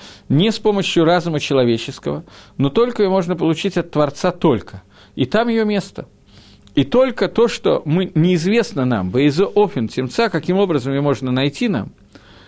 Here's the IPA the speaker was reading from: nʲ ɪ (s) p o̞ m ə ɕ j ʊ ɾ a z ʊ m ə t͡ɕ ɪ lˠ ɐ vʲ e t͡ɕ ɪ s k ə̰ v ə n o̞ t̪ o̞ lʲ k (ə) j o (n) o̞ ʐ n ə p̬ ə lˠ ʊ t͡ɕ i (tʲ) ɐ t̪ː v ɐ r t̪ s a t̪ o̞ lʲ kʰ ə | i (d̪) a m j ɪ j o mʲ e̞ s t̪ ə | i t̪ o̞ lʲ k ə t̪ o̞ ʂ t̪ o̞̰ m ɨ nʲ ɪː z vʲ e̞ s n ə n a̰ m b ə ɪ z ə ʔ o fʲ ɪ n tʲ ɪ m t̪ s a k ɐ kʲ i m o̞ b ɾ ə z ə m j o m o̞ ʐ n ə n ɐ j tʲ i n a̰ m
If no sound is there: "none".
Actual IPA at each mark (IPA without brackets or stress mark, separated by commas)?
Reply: s, ə, m, tʲ, t̪